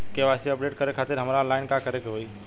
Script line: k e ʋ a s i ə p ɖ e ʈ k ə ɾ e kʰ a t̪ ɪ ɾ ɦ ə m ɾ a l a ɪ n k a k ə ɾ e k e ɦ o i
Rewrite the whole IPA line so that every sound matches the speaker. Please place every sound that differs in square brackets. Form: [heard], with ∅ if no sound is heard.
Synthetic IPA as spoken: k e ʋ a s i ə p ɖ e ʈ k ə ɾ e kʰ a t̪ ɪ ɾ ɦ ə m ɾ a l a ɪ n k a k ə ɾ e k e ɦ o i